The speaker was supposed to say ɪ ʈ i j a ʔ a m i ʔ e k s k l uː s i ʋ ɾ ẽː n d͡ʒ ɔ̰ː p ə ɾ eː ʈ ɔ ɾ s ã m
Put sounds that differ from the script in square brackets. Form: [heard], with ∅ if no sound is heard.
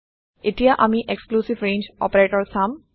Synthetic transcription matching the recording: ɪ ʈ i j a ʔ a m i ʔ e k s k l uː s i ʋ ɾ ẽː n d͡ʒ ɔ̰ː p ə ɾ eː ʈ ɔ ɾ s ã m